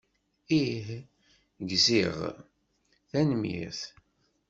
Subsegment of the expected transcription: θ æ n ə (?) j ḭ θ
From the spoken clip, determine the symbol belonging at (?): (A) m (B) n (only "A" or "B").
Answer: A